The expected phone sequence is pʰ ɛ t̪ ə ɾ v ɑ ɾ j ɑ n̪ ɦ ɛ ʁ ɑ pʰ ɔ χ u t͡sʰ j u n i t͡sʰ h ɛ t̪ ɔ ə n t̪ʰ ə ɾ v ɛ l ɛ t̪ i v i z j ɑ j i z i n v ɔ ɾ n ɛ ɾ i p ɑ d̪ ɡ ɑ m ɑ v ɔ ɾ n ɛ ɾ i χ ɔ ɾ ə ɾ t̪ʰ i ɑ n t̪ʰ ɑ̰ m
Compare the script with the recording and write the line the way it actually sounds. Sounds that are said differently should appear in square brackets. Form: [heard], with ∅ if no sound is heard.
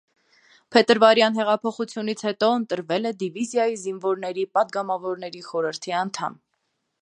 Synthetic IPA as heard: pʰ ɛ t̪ ə ɾ v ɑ ɾ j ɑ n̪ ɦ ɛ ʁ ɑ pʰ ɔ χ u t͡sʰ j u n i t͡sʰ h ɛ t̪ ɔ ə n [t̪] ə ɾ v ɛ l ɛ [d̪] i v i z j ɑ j i z i n v ɔ ɾ n ɛ ɾ i p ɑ d̪ ɡ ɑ m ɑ v ɔ ɾ n ɛ ɾ i χ ɔ ɾ ə ɾ t̪ʰ i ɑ n t̪ʰ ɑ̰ m